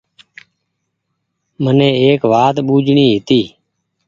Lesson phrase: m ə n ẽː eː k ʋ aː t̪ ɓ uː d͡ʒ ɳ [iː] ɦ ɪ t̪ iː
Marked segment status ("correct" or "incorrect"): correct